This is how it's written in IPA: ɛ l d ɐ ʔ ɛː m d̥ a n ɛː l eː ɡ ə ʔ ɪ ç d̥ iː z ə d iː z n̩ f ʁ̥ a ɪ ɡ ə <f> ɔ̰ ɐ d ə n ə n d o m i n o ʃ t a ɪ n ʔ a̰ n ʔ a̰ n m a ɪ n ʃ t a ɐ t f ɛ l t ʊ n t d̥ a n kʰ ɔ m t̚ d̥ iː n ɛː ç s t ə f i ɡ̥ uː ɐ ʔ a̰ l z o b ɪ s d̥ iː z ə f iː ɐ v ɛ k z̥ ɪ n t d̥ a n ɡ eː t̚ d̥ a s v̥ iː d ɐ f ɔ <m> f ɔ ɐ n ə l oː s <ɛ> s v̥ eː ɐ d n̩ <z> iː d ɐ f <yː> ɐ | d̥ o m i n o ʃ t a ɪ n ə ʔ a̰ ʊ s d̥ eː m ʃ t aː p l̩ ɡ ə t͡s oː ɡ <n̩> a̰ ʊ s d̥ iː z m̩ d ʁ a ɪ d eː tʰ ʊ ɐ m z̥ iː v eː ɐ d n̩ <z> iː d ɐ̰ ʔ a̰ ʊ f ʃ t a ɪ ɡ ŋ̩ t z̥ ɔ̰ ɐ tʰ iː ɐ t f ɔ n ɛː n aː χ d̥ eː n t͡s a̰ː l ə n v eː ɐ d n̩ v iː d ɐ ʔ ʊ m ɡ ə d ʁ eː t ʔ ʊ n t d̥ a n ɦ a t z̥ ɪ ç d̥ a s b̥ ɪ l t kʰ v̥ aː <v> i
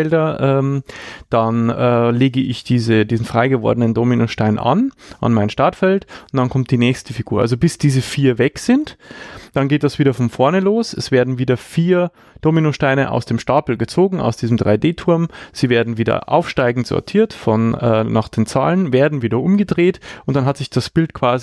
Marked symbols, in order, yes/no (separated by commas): no, no, yes, no, no, no, no, no